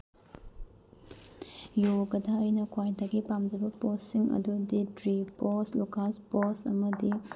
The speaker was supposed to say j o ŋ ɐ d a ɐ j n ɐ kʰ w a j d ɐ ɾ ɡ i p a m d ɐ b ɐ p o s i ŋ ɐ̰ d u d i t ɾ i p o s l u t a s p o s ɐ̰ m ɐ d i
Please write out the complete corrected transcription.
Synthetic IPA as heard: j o ɡ ɐ d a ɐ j n ɐ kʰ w a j d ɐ ɡ i p a m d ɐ b ɐ p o s i ŋ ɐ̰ d u d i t ɾ i p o s l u k a s p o s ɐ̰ m ɐ d i